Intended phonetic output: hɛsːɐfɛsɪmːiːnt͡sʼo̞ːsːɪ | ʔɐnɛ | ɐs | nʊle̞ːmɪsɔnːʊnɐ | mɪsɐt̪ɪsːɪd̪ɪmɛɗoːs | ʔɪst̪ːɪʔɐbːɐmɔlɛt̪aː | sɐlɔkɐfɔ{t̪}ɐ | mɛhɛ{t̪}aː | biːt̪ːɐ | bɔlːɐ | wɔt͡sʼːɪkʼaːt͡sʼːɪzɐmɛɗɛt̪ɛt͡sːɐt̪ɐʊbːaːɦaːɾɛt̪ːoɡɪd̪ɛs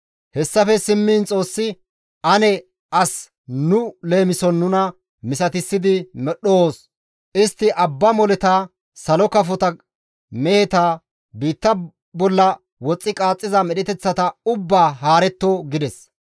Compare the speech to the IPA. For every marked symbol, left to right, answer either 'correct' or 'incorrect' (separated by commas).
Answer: correct, correct